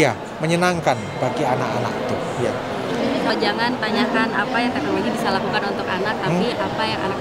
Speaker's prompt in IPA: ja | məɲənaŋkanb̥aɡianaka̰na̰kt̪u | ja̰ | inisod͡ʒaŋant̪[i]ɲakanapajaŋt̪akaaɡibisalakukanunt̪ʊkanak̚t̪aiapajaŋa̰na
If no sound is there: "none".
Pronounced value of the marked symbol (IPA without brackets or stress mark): a